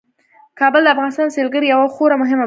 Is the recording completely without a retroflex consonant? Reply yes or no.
yes